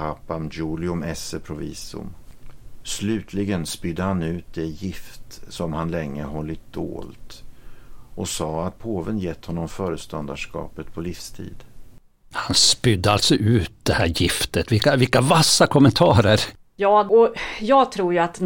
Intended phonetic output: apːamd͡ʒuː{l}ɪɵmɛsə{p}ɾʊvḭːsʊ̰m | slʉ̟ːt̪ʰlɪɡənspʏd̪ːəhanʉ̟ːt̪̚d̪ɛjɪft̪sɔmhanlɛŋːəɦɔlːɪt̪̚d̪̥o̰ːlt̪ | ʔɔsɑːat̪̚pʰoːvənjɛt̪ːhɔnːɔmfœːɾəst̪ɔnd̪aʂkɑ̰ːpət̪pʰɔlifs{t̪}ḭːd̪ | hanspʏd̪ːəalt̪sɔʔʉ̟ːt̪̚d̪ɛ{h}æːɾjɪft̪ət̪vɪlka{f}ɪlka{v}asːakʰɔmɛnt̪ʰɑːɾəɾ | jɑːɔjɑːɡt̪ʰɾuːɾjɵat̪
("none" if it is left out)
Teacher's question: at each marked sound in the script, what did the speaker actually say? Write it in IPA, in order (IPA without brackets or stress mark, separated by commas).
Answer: l, pʰ, t̪ʰ, h, v, v